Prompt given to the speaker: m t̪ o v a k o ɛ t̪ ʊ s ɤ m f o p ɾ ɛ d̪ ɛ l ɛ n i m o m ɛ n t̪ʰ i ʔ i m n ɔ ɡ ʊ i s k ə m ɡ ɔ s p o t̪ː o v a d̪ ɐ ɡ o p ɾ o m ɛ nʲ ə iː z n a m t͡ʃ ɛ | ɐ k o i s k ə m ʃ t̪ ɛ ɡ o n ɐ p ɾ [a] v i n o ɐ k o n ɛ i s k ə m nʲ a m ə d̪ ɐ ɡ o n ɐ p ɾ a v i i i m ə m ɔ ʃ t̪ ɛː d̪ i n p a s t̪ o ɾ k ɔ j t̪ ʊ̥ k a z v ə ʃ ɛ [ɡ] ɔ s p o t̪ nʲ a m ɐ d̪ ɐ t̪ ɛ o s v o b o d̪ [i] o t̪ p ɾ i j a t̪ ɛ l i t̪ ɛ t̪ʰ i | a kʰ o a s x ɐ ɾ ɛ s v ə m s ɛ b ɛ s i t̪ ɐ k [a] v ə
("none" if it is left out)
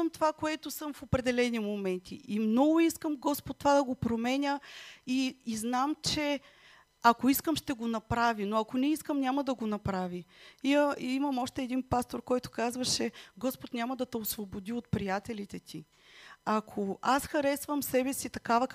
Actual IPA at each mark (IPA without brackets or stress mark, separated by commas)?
a, ɡ, i, a